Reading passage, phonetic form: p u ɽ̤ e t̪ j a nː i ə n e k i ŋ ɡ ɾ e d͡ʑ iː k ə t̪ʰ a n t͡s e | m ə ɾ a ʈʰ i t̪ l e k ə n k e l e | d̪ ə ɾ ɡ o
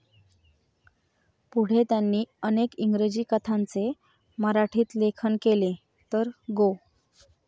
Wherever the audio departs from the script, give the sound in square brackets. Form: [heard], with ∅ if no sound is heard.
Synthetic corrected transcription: p u ɽ̤ e t̪ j a nː [iː] ə n e k i ŋ ɡ ɾ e d͡ʑ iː k ə t̪ʰ a n t͡s e | m ə ɾ a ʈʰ [iː] t̪ l e [kʰ] ə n k e l e | [t̪] ə ɾ ɡ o